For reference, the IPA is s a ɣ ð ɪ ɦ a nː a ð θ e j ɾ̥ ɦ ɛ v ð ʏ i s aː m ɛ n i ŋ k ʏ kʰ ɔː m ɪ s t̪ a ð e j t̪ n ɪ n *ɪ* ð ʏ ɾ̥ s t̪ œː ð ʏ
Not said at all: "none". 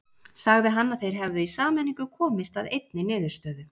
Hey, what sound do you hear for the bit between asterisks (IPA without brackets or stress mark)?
ɪː